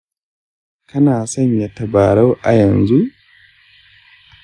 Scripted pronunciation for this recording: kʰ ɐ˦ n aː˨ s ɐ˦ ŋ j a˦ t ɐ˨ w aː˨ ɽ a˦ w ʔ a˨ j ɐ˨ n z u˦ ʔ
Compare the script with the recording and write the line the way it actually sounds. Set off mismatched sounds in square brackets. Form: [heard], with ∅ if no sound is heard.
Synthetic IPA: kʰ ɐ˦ n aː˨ s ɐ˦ [ɲ] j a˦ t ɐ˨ [b] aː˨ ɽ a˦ w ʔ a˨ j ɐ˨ n z u˦ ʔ